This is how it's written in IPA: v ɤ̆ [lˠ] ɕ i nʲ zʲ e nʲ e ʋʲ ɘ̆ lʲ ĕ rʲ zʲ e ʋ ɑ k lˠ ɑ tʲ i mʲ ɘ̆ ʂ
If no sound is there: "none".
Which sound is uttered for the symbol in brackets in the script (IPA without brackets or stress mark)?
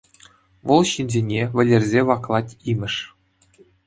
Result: lˠ